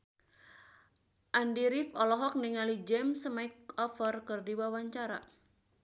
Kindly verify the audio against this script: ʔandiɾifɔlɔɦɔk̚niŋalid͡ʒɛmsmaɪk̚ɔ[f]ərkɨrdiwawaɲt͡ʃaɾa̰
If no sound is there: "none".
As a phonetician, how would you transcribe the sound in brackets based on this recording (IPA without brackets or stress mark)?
f